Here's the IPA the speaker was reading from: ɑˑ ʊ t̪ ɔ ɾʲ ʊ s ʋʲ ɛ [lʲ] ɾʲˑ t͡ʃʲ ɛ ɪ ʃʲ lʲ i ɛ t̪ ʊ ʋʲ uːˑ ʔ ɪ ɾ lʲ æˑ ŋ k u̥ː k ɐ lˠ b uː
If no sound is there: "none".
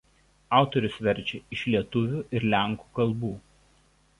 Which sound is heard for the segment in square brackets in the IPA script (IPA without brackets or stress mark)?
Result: none